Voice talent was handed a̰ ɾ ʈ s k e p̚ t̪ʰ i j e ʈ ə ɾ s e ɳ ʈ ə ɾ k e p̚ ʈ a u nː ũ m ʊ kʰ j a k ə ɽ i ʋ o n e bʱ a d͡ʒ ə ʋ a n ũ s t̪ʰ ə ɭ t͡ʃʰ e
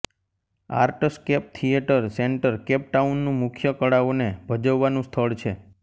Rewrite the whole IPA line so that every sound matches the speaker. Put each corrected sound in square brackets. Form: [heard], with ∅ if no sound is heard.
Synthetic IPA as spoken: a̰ ɾ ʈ s k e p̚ t̪ʰ i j e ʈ ə ɾ s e ɳ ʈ ə ɾ k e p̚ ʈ a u nː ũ m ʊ kʰ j [ə] k ə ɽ [a] ʋ o n e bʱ [ə] d͡ʒ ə [ʋː] a n ũ s t̪ʰ ə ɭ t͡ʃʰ e